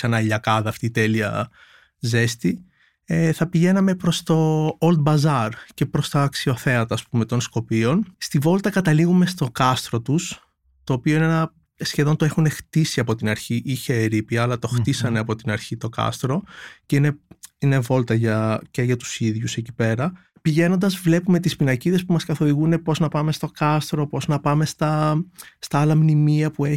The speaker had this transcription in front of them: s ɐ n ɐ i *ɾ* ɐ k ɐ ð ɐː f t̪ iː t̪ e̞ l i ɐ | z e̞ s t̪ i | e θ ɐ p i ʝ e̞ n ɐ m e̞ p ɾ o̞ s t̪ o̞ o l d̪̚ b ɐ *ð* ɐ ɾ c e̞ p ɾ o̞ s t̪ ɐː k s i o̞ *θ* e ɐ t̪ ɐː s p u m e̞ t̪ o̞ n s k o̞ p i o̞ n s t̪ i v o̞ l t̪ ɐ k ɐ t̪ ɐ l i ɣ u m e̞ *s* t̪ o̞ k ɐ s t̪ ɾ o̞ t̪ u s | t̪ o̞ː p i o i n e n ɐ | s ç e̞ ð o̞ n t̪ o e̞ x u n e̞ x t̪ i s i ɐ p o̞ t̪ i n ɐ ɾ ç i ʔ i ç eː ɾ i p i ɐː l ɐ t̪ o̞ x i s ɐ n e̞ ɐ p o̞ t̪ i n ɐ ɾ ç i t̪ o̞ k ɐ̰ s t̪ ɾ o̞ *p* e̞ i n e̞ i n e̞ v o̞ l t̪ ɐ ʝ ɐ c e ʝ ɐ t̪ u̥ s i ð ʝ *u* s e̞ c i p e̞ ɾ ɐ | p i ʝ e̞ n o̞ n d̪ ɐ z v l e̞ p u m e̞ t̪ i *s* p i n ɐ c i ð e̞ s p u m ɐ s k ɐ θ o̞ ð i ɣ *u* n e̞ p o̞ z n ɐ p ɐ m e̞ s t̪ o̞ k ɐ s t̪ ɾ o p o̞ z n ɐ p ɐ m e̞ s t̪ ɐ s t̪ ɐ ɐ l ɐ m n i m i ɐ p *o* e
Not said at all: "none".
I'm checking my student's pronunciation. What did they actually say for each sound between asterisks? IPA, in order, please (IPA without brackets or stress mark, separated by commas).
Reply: ʎ, z, θ, s, c, u, s, u, u